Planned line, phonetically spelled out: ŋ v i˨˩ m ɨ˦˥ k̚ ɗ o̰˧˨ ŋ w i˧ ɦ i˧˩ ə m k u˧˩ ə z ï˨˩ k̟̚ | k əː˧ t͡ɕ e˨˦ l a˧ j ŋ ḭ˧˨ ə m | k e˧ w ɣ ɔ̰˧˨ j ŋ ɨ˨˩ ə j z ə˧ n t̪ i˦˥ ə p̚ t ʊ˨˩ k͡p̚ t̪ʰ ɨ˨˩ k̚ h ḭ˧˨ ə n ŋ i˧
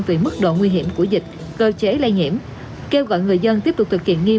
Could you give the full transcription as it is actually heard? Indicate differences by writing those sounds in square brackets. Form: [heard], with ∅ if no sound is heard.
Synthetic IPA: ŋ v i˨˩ m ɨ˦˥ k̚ ɗ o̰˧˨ ŋ w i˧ ɦ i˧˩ ə m k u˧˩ ə z ï˨˩ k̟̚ | k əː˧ t͡ɕ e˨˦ l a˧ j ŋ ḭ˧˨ ə m | k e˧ w ɣ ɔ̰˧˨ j ŋ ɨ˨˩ ə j z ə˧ n t̪ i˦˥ ə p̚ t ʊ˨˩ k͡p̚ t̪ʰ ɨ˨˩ k̚ h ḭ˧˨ ə n ŋ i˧